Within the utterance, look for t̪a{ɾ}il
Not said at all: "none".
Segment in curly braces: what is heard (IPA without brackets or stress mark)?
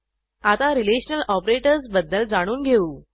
ɾ